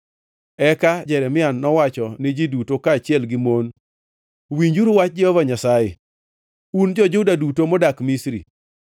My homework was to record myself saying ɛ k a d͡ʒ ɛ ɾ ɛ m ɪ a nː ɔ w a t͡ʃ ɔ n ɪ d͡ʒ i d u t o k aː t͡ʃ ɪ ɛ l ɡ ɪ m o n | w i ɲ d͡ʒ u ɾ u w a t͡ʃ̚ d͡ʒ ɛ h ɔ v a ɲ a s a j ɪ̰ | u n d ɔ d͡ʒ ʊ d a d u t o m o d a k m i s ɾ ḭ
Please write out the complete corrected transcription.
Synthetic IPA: ɛ k a d͡ʒ ɛ ɾ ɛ m ɪ a nː ɔ w a t͡ʃ ɔ n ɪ d͡ʒ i d u t o k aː t͡ʃ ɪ ɛ l ɡ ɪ m o n | w i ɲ d͡ʒ u ɾ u w a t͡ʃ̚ d͡ʒ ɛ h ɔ v a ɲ a s a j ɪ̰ | u n d͡ʒ ɔ d͡ʒ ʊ d a d u t o m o d a k m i s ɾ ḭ